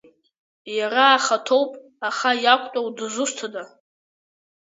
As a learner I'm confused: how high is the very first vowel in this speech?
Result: low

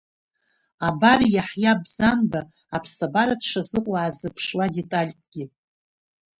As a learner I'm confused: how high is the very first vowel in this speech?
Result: low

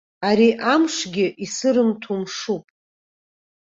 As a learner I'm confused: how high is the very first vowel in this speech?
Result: low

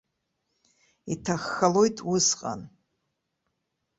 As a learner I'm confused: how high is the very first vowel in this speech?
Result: high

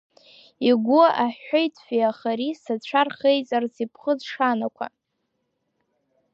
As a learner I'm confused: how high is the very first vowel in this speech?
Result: high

